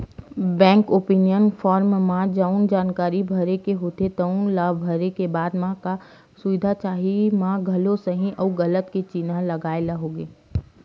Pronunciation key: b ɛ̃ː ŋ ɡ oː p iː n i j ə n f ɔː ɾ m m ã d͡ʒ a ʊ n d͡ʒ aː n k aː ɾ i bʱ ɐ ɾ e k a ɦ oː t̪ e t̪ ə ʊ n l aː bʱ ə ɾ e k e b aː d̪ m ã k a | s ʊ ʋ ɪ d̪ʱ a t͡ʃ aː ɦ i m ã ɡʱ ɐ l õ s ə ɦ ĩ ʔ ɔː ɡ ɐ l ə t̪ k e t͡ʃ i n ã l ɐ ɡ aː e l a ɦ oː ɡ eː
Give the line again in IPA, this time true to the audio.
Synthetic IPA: b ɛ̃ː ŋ k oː p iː n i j ə n f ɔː ɾ m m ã d͡ʒ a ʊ n d͡ʒ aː n k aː ɾ i bʱ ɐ ɾ e k e ɦ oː t̪ e t̪ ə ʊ n l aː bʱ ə ɾ e k e b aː d̪ m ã k a | s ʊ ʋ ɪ d̪ʱ a t͡ʃ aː ɦ i m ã ɡʱ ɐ l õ s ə ɦ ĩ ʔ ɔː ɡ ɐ l ə t̪ k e t͡ʃ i n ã l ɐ ɡ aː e l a ɦ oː ɡ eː